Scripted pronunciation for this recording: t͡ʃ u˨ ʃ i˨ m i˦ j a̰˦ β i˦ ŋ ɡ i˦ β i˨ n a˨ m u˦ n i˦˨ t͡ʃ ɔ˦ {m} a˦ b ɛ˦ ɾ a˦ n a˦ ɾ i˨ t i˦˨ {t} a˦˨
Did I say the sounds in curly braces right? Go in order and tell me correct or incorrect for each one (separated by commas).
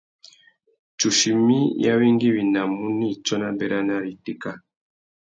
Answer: incorrect, incorrect